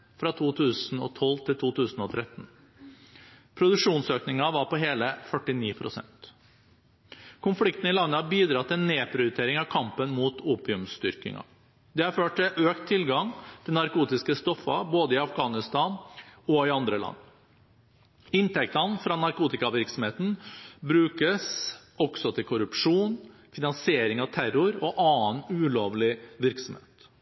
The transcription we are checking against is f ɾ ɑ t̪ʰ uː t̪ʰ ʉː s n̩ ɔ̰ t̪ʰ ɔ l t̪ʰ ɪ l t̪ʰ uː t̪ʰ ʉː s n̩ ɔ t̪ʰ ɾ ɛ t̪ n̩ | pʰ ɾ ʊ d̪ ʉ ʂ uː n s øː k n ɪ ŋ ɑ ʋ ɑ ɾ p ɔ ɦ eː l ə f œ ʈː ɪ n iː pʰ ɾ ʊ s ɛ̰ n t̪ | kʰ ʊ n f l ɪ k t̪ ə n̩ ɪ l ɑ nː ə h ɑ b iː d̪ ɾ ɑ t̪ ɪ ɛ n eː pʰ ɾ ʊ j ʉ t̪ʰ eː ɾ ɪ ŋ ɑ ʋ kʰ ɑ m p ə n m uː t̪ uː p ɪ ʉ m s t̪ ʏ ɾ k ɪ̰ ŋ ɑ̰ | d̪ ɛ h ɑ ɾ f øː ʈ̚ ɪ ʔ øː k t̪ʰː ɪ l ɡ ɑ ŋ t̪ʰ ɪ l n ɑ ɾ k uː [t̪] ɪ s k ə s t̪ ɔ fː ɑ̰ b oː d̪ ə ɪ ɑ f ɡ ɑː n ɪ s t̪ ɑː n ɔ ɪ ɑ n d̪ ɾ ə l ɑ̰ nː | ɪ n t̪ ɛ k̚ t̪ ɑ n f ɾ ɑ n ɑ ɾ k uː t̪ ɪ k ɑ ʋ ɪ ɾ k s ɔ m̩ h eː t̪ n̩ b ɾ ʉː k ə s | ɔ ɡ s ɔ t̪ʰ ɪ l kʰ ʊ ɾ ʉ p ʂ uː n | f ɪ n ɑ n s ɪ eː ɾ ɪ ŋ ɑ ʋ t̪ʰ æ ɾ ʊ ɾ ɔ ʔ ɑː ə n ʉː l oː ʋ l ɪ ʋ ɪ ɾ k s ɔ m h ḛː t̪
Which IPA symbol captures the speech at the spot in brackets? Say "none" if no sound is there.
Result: t̪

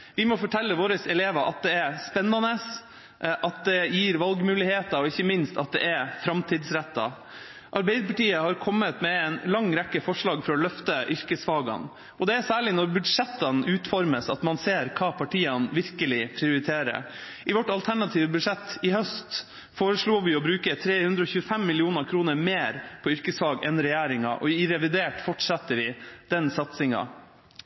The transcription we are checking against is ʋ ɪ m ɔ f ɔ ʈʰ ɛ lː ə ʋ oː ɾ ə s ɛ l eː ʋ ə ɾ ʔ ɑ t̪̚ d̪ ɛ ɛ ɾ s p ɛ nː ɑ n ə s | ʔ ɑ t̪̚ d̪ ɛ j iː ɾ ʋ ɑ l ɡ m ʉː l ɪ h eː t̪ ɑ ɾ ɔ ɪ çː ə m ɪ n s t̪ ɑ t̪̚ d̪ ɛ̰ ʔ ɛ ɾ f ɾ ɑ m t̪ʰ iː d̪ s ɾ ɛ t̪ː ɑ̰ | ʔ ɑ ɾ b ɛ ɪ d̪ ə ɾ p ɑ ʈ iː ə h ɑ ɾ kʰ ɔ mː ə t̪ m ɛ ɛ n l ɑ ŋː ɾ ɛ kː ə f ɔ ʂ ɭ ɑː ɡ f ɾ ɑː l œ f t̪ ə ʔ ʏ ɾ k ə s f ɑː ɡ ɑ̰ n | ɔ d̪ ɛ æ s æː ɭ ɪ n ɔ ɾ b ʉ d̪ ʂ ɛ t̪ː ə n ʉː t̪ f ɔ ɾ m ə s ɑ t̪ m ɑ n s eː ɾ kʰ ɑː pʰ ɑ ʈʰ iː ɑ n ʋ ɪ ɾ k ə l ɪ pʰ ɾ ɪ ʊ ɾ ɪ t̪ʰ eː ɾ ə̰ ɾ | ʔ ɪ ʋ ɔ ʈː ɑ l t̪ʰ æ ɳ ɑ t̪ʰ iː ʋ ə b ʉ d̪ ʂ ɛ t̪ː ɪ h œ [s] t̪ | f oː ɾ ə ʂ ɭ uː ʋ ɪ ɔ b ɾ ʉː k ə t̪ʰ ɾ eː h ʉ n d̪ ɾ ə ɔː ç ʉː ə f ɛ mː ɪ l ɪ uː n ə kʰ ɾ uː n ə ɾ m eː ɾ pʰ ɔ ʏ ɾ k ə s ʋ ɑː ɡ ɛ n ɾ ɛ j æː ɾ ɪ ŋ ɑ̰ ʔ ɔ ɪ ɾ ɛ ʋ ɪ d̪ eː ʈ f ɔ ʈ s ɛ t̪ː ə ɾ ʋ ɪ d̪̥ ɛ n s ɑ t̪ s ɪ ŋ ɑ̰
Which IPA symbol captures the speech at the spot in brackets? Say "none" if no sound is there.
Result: s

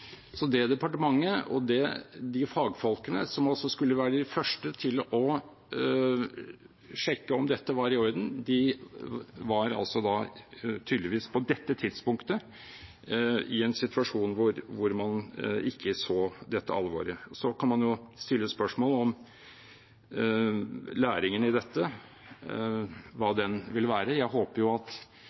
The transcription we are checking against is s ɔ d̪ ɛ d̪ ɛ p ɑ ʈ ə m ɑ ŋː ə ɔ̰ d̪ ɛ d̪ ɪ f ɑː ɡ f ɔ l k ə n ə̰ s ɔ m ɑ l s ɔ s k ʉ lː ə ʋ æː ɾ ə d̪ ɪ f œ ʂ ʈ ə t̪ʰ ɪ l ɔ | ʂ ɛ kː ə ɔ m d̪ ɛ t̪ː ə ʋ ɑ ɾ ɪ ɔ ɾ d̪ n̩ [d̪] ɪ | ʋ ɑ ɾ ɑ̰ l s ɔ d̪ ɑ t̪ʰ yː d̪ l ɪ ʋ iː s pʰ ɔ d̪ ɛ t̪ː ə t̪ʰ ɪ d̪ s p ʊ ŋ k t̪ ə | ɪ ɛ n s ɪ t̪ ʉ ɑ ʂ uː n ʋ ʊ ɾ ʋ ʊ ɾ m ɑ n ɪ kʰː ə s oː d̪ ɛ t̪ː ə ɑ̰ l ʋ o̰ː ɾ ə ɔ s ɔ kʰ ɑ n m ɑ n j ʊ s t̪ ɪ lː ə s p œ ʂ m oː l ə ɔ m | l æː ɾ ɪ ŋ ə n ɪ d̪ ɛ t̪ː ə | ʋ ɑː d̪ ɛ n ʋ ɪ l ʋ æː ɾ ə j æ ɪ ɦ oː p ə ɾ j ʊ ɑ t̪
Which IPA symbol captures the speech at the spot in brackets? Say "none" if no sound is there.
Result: d̪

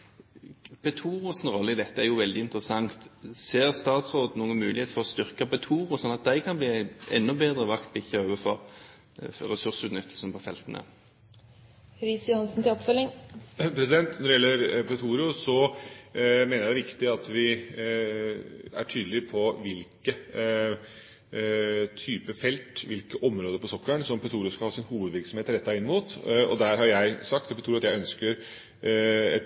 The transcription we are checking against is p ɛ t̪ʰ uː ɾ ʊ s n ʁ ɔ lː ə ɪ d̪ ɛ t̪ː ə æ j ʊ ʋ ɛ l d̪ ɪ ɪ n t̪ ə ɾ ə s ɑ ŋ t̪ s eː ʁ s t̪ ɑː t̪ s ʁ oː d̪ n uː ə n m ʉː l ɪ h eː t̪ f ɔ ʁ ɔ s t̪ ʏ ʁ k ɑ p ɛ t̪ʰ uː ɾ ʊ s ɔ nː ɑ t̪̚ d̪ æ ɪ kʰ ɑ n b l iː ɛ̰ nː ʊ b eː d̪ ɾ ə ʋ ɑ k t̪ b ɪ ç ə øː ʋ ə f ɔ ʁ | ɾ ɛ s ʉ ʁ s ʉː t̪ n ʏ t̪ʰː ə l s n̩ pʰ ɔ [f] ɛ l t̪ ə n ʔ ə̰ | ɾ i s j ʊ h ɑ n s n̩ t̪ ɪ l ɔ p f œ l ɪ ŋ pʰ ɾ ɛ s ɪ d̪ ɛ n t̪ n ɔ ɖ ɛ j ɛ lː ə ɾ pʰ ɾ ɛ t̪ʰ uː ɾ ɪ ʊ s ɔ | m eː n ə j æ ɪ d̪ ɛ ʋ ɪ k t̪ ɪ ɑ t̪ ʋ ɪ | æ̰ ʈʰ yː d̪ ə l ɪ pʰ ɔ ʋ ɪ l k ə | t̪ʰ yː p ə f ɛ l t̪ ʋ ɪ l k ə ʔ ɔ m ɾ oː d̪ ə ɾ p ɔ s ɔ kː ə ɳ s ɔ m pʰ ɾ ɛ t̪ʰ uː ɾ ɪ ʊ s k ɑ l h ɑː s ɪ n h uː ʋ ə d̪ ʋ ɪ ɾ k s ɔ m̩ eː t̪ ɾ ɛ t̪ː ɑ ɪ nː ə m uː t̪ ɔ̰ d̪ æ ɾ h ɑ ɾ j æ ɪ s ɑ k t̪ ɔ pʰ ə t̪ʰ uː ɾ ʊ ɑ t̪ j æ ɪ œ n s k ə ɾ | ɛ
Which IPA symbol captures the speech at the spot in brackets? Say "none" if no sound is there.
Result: f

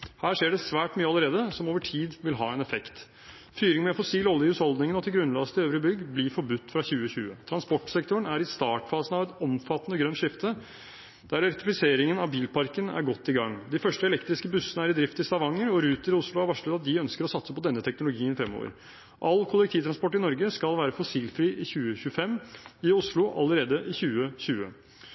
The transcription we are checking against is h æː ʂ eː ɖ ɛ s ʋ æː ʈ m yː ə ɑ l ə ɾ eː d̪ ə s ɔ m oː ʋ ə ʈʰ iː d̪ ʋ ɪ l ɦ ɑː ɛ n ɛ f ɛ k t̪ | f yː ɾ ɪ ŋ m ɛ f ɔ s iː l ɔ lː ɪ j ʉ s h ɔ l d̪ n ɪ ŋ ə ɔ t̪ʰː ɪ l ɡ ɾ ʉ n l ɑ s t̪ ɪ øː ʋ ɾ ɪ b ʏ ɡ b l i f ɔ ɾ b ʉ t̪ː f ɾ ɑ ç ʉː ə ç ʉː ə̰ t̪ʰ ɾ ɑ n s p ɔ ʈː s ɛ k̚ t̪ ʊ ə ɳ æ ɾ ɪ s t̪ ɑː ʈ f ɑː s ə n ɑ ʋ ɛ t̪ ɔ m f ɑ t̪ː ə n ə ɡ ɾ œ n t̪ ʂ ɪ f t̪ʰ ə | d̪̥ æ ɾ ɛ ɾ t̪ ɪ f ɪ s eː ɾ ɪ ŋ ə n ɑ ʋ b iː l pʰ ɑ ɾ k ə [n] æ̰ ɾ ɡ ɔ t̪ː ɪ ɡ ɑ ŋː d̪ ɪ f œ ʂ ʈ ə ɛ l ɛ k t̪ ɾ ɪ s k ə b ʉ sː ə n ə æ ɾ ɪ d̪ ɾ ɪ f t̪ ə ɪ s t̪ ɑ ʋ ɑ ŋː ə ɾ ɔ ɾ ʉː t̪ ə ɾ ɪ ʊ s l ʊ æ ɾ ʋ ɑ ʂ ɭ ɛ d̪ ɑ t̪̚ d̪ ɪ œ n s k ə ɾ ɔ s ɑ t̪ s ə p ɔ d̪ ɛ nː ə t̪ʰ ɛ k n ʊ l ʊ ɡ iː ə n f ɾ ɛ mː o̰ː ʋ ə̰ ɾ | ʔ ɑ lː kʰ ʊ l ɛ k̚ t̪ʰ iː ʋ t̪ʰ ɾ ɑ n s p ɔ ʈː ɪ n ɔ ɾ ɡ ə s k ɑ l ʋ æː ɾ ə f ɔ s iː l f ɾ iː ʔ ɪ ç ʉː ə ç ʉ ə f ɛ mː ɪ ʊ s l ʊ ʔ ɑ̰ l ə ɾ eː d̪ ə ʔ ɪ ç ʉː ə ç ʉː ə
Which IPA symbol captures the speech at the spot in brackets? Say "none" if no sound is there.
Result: n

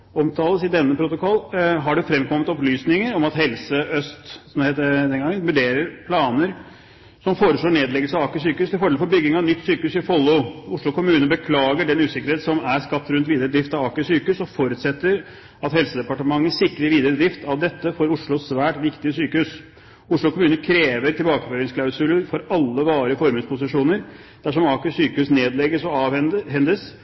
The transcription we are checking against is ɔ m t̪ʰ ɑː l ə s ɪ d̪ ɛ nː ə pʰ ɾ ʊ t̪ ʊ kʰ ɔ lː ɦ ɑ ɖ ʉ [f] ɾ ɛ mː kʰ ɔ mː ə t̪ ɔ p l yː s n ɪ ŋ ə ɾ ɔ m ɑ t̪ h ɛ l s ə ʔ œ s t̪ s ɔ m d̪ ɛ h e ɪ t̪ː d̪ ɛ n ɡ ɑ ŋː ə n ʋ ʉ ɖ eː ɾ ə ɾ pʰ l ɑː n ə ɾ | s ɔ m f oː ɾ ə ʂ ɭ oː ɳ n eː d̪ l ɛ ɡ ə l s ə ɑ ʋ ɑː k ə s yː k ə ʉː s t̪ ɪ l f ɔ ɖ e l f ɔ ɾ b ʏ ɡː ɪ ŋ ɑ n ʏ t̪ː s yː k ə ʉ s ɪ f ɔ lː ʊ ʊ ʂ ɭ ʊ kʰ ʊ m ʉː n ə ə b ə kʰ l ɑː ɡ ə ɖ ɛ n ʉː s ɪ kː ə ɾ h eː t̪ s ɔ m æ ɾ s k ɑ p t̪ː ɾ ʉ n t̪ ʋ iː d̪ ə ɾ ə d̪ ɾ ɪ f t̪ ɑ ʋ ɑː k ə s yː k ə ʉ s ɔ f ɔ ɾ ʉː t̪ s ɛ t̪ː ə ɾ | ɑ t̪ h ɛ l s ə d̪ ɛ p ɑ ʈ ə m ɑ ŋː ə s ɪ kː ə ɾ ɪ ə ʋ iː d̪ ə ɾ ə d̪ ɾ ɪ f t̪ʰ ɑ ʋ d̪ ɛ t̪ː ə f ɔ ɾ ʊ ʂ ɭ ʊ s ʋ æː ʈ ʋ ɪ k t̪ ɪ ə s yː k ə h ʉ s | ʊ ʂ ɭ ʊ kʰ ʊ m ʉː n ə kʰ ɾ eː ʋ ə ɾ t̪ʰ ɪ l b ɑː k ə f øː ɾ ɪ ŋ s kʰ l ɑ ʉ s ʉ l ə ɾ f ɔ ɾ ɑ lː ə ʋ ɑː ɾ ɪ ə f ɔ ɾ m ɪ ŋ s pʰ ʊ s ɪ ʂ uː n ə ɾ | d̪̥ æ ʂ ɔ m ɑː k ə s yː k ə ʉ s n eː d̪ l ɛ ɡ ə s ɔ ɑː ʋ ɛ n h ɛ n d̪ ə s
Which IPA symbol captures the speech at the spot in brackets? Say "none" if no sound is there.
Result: f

